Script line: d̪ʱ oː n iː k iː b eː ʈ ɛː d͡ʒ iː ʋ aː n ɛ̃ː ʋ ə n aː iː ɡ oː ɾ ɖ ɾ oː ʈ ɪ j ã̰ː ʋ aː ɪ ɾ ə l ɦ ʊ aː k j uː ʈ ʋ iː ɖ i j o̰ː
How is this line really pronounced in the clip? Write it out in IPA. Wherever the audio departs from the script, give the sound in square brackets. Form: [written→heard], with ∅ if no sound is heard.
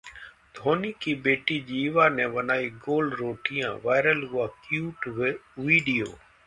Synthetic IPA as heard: d̪ʱ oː n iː k iː b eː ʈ [ɛː→iː] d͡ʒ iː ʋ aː n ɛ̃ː ʋ ə n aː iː ɡ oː [ɾ→l] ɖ ɾ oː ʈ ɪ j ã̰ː ʋ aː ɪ ɾ ə l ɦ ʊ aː k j uː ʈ ʋ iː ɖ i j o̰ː